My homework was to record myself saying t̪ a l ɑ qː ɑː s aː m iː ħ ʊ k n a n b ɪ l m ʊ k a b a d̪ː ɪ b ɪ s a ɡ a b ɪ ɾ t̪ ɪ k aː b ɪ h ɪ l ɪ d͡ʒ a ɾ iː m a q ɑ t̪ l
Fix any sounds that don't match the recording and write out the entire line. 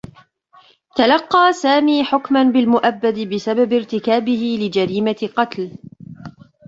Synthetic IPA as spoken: t̪ a l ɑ qː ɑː s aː m iː ħ ʊ k m a n b ɪ l m ʊ ʔ a bː a d̪ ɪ b ɪ s a b a b ɪ ɾ t̪ ɪ k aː b ɪ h ɪ l ɪ d͡ʒ a ɾ iː m a q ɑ t̪ l